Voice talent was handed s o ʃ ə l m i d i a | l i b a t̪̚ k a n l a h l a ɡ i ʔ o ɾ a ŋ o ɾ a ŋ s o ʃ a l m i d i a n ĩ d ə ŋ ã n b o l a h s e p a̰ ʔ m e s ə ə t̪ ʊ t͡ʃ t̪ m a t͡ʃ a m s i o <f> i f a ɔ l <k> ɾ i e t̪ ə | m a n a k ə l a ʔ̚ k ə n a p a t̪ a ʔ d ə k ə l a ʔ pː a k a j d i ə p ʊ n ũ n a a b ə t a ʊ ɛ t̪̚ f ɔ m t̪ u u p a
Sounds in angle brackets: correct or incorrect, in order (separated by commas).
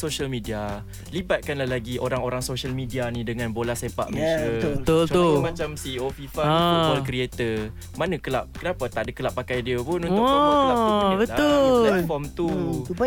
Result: correct, correct